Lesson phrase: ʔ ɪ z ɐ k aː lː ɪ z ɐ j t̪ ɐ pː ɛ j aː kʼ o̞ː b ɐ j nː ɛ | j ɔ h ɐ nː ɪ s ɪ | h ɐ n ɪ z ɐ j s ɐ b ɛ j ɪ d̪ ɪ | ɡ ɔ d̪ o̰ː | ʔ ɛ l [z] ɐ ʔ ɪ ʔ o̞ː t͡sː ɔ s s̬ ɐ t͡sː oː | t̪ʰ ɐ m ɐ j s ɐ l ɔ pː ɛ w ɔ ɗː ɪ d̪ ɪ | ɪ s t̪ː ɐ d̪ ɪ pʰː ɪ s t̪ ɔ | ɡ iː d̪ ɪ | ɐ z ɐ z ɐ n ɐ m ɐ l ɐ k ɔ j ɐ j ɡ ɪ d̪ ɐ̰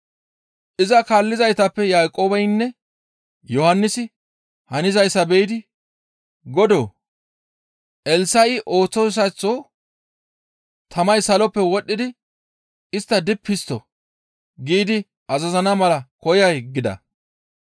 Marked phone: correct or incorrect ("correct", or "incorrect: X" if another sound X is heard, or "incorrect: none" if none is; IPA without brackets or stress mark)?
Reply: incorrect: s